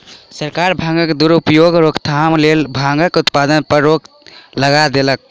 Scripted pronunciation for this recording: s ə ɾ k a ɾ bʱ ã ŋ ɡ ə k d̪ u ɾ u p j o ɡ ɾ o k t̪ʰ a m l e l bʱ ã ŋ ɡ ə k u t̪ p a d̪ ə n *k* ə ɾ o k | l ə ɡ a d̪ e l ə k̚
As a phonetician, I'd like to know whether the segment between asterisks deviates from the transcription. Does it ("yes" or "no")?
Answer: yes